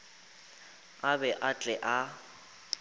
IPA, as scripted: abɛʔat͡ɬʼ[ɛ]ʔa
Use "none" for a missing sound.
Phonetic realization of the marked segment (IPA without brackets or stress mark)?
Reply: ɛ